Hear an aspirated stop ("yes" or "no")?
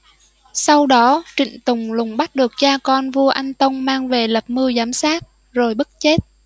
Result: no